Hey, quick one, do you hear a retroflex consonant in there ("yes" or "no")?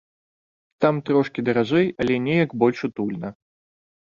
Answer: yes